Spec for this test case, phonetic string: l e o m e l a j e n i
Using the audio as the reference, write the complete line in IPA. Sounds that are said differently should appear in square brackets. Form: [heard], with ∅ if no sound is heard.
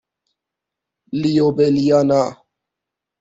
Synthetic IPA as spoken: l [i] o [b] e l [i] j [a] n [a]

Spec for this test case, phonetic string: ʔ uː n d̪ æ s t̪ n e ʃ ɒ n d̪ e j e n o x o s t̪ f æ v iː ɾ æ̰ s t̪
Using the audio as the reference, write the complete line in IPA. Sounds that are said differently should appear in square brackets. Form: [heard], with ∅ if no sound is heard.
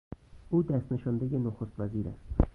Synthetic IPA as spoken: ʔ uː [∅] d̪ æ s t̪ n e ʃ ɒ n d̪ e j e n o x o s t̪ [v] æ [z] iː ɾ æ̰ s t̪

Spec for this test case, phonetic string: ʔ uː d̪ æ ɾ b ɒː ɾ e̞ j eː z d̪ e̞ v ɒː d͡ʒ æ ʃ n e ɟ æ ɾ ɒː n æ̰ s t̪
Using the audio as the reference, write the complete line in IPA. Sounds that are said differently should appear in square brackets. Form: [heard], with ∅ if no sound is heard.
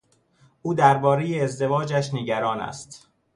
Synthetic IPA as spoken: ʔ uː d̪ æ ɾ b ɒː ɾ e̞ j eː z d̪ e̞ v ɒː d͡ʒ æ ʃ n e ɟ æ ɾ ɒː n æ̰ s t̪

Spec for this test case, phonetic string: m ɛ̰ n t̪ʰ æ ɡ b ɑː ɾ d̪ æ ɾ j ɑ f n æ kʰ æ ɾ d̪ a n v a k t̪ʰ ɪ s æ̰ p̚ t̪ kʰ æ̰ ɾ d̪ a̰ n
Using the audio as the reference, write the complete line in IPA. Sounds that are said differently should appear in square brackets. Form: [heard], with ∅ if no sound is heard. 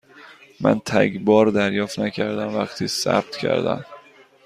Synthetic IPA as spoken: m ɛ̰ n t̪ʰ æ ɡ b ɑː ɾ d̪ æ ɾ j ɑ f n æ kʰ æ ɾ d̪ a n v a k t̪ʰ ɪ s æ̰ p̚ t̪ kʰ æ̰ ɾ d̪ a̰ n

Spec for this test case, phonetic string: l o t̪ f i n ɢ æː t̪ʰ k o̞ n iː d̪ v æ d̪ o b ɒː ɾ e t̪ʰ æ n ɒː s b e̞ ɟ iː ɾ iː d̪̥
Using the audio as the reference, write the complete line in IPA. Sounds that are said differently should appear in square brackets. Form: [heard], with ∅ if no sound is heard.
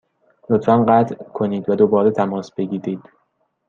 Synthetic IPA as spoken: l o t̪ f [æ] n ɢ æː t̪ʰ [kʰ] o̞ n iː d̪ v æ d̪ o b ɒː ɾ e t̪ʰ æ [m] ɒː s b e̞ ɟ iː ɾ iː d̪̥

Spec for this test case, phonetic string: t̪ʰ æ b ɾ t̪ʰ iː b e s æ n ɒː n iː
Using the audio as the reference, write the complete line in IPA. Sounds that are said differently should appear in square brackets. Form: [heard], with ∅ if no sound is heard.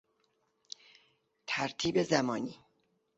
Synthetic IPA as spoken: t̪ʰ æ [∅] ɾ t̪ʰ iː b e [z] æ [m] ɒː n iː

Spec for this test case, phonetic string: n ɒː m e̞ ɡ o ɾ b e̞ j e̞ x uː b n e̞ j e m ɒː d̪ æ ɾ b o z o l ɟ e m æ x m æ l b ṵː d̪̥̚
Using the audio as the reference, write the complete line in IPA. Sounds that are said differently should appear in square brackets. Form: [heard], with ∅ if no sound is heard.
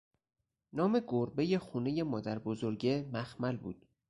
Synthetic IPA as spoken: n ɒː m e̞ ɡ o ɾ b e̞ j e̞ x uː [∅] n e̞ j e m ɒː d̪ æ ɾ b o z o [ɾ] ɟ e m æ x m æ l b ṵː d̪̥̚

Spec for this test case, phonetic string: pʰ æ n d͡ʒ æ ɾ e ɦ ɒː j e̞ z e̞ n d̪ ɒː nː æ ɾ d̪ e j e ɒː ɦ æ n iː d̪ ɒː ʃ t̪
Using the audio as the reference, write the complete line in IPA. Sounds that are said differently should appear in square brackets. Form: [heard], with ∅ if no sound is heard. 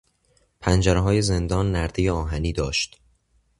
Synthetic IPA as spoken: pʰ æ n d͡ʒ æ ɾ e ɦ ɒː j e̞ z e̞ n d̪ ɒː nː æ ɾ d̪ e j e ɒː ɦ æ n iː d̪ ɒː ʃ t̪

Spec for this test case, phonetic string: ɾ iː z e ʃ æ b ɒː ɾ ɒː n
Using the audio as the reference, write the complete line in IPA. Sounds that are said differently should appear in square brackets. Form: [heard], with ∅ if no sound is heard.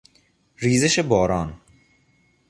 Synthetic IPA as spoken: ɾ iː z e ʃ [e] b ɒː ɾ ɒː n

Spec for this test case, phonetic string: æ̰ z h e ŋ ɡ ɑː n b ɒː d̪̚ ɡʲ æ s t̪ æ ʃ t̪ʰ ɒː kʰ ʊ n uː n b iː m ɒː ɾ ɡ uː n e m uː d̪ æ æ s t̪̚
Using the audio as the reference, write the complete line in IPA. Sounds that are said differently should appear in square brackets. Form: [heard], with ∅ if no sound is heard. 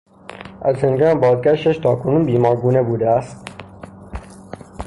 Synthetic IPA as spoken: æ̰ z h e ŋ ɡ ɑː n b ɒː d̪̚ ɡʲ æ [ʃ] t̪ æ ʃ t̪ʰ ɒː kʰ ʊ n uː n b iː m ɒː ɾ ɡ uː n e [b] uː d̪ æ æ s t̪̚

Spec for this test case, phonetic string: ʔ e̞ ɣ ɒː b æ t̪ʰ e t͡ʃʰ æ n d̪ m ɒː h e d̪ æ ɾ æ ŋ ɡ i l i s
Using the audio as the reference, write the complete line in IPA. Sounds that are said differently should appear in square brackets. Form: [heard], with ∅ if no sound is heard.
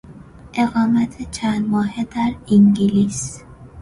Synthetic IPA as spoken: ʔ e̞ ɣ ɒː [m] æ t̪ʰ e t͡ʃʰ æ n d̪ m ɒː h e d̪ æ ɾ [i] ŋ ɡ i l i s

